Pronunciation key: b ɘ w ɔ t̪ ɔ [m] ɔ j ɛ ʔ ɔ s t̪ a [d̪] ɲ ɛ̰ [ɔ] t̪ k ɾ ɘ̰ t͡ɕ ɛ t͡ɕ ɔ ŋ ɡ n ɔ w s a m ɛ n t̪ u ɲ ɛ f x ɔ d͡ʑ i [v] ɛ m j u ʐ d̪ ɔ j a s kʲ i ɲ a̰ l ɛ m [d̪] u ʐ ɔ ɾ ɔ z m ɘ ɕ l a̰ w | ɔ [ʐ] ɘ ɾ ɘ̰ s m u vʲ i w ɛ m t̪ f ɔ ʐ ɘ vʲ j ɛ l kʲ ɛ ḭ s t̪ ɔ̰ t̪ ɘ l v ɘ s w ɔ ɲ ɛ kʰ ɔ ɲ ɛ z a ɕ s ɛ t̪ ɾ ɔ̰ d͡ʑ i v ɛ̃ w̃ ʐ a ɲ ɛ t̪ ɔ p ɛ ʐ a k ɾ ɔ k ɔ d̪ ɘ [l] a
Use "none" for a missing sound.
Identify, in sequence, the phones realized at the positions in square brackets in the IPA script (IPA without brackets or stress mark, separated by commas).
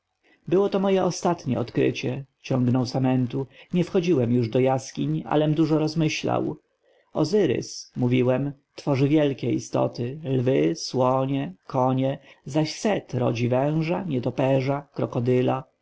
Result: m, t̪, ɔ, w, d̪, z, l